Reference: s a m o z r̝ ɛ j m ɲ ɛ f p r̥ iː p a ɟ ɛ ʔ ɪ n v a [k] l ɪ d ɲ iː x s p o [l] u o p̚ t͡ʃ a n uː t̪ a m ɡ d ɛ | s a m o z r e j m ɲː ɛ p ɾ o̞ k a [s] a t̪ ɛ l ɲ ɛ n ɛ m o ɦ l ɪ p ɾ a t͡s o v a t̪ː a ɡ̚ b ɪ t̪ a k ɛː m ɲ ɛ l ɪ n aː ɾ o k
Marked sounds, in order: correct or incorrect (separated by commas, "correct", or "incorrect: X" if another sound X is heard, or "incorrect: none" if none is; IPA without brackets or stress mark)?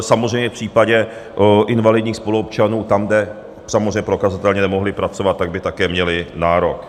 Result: incorrect: none, correct, incorrect: z